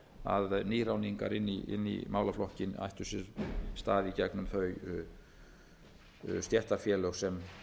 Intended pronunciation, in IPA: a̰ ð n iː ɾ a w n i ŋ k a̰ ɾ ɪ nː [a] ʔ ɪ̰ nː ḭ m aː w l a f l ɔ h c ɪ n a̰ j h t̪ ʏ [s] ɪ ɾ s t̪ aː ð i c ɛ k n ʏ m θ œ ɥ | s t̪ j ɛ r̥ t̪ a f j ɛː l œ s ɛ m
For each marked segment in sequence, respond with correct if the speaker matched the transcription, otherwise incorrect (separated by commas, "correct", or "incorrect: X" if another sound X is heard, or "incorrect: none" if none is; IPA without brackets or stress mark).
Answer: incorrect: i, correct